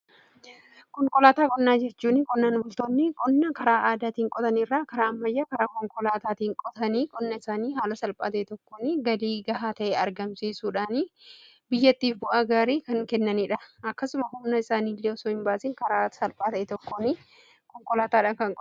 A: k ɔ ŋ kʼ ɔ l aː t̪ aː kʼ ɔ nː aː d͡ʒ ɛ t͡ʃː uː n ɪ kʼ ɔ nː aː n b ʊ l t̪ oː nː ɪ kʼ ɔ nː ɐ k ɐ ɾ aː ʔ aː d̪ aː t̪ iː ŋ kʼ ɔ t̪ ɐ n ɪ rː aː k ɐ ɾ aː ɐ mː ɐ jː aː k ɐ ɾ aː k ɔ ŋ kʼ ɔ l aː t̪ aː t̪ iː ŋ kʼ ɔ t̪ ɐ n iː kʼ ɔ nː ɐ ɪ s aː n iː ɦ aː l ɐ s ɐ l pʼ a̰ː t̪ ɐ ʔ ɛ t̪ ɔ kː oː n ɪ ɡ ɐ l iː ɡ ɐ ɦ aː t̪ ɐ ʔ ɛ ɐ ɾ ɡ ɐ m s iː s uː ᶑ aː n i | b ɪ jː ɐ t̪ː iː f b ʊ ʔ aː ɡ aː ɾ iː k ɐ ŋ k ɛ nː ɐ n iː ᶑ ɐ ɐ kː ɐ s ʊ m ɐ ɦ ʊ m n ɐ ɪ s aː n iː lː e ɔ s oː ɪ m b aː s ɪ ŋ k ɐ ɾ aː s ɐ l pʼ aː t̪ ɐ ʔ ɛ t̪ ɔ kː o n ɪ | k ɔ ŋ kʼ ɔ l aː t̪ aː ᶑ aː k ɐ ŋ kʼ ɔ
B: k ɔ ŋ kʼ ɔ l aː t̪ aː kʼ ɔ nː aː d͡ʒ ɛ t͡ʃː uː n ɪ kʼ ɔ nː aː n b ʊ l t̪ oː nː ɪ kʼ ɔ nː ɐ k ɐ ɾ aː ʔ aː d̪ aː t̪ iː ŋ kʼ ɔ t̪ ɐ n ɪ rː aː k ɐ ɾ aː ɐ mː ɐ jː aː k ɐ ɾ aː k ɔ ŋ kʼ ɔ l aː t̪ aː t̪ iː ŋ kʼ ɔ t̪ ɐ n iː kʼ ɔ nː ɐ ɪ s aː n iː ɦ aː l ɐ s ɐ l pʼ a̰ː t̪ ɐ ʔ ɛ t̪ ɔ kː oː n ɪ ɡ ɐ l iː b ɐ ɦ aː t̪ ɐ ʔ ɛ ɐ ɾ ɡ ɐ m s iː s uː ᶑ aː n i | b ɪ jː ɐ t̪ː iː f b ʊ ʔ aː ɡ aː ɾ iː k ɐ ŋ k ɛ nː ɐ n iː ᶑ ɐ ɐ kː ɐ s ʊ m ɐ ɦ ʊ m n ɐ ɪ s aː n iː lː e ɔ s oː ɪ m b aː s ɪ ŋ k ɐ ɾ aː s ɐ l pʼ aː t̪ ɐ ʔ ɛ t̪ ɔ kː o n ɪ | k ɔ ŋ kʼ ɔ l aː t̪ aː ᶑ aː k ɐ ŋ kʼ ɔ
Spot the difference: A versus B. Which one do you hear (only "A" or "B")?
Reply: A